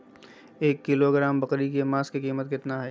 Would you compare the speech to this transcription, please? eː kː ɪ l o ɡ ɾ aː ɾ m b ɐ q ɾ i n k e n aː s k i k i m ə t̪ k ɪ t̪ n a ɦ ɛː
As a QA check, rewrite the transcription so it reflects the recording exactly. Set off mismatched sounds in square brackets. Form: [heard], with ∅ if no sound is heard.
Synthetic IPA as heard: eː kː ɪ l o ɡ ɾ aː [∅] m b ɐ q ɾ i [∅] k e [m] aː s k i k [iː] m ə t̪ k ɪ t̪ n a ɦ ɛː